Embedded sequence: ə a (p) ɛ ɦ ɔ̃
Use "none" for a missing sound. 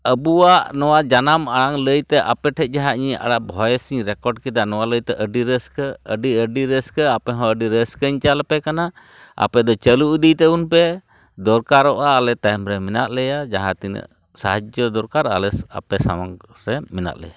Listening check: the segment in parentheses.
p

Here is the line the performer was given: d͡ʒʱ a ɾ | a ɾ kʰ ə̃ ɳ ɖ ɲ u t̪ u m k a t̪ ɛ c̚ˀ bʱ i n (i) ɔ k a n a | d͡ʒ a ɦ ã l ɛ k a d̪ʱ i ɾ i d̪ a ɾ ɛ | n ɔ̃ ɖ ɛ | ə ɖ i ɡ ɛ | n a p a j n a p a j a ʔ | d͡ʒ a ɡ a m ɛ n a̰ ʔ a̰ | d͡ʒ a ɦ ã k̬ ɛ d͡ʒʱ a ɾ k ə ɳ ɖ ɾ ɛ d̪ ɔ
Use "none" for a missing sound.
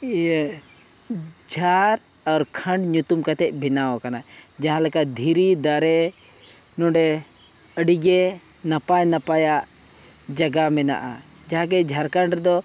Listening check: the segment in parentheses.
a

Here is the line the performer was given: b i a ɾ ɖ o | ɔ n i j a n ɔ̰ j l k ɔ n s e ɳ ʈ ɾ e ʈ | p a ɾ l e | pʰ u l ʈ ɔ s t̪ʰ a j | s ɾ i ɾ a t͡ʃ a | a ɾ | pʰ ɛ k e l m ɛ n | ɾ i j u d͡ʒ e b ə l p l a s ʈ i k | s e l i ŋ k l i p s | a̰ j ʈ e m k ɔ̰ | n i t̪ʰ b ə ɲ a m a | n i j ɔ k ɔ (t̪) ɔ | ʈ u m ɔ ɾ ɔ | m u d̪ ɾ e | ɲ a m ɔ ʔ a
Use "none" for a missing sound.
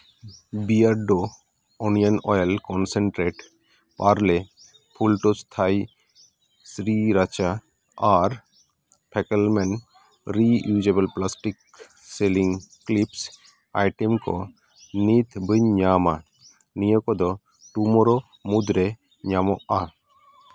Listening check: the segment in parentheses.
d̪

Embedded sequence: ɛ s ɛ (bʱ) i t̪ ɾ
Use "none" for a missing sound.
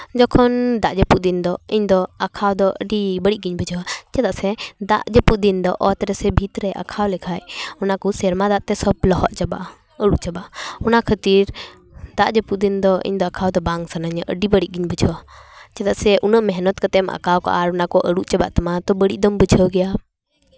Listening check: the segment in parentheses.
bʱ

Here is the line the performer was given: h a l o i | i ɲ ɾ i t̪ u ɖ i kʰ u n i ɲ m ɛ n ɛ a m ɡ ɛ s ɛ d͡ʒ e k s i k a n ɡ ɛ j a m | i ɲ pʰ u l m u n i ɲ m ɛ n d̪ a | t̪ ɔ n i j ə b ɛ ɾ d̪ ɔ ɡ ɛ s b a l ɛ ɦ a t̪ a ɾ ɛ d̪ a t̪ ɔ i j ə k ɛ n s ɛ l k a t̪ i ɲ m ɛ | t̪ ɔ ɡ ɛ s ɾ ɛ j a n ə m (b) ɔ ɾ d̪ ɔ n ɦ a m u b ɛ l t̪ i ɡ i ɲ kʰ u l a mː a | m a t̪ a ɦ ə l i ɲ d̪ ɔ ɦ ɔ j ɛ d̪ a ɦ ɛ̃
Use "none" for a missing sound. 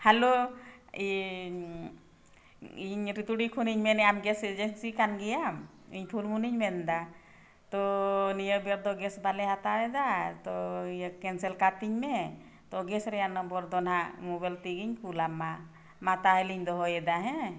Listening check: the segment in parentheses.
b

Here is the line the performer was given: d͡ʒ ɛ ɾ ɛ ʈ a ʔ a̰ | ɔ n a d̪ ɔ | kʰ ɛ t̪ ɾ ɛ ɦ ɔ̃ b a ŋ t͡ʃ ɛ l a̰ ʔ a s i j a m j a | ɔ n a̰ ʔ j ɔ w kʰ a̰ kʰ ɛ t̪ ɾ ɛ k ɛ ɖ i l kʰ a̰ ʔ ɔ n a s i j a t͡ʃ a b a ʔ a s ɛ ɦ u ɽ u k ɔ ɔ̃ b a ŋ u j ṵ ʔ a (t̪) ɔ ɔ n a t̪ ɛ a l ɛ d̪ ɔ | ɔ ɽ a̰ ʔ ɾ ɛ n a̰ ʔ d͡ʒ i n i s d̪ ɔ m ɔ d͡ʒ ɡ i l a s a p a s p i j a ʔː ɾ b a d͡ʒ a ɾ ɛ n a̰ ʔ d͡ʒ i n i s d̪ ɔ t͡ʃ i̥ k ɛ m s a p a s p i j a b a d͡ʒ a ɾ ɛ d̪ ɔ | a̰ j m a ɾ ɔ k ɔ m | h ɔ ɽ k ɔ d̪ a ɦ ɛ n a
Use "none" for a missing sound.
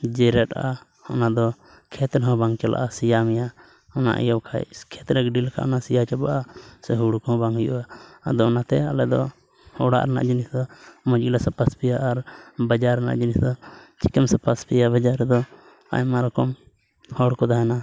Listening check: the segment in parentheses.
d̪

